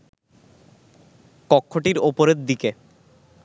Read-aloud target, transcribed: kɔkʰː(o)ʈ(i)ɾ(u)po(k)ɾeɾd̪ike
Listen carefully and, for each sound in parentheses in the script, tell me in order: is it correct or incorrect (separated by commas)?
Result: correct, correct, incorrect, incorrect